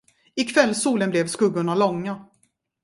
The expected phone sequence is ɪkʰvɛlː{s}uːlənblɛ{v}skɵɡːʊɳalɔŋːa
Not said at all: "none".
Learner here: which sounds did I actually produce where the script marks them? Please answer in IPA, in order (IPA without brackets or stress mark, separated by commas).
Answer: s, v